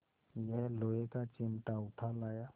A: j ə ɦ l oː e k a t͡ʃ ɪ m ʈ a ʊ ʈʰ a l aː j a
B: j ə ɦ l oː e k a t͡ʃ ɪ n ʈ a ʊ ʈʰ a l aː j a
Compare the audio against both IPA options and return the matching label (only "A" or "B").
A